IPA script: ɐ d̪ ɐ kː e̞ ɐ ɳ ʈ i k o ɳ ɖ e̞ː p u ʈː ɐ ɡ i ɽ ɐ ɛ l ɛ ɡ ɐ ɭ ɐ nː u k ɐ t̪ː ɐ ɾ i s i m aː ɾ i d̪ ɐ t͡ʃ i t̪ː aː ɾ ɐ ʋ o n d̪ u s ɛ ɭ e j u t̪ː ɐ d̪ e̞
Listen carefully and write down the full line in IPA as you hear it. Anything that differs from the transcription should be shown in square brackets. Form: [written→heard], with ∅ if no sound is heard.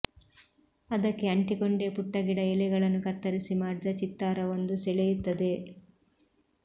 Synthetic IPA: ɐ d̪ ɐ kː e̞ ɐ ɳ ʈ i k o ɳ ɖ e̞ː p u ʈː ɐ ɡ i ɽ ɐ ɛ l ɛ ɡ ɐ ɭ ɐ nː u k ɐ t̪ː ɐ ɾ i s i m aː [ɾ→ɽ] i d̪ ɐ t͡ʃ i t̪ː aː ɾ ɐ ʋ o n d̪ u s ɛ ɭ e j u t̪ː ɐ d̪ e̞

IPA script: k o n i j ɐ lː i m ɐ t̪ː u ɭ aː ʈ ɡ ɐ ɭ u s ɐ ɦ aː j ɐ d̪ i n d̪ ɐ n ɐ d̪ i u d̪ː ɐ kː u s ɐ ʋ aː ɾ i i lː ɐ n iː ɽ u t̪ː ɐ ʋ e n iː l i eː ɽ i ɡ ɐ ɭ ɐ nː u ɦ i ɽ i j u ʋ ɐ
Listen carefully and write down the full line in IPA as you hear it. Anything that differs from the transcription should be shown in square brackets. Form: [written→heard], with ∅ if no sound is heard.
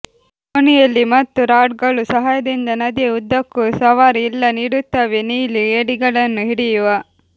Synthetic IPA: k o n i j ɐ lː i m ɐ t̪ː u [ɭ→ɾ] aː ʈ ɡ ɐ ɭ u s ɐ ɦ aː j ɐ d̪ i n d̪ ɐ n ɐ d̪ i u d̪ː ɐ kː u s ɐ ʋ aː ɾ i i lː ɐ n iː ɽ u t̪ː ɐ ʋ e n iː l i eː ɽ i ɡ ɐ ɭ ɐ nː u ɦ i ɽ i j u ʋ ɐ

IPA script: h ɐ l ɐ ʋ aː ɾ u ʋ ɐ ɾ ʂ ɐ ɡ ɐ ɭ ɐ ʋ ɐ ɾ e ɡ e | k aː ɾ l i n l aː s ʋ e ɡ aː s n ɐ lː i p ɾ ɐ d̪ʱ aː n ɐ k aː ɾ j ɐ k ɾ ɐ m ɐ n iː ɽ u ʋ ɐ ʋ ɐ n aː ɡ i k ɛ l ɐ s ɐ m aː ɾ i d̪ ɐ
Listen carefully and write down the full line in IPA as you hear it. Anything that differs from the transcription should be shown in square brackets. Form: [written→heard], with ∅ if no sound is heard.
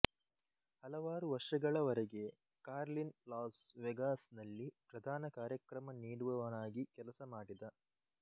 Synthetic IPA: h ɐ l ɐ ʋ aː ɾ u ʋ ɐ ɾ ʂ ɐ ɡ ɐ ɭ ɐ ʋ ɐ ɾ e ɡ e | k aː ɾ l i n l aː s ʋ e ɡ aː s n ɐ lː i p ɾ ɐ d̪ʱ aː n ɐ k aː ɾ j ɐ k ɾ ɐ m ɐ n iː ɽ u ʋ ɐ ʋ ɐ n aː ɡ i k ɛ l ɐ s ɐ m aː [ɾ→ɽ] i d̪ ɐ

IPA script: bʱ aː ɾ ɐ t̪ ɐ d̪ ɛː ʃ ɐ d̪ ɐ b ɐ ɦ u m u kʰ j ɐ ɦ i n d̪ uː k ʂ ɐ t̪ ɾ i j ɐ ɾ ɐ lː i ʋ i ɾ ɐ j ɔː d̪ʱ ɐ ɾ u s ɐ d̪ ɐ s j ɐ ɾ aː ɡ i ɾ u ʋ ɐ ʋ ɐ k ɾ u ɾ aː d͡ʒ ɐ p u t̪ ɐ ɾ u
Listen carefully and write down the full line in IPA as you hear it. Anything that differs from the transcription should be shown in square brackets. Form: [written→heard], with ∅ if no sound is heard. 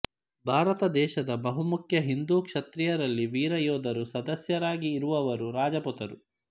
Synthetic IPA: bʱ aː ɾ ɐ t̪ ɐ d̪ ɛː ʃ ɐ d̪ ɐ b ɐ ɦ u m u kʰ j ɐ ɦ i n d̪ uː k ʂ ɐ t̪ ɾ i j ɐ ɾ ɐ lː i ʋ [i→iː] ɾ ɐ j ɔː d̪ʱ ɐ ɾ u s ɐ d̪ ɐ s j ɐ ɾ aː ɡ [i→iː] ɾ u ʋ ɐ ʋ ɐ [k→∅] ɾ u ɾ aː d͡ʒ ɐ p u t̪ ɐ ɾ u

